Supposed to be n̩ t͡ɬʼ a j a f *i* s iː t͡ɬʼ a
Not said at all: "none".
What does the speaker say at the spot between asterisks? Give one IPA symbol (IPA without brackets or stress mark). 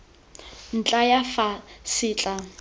a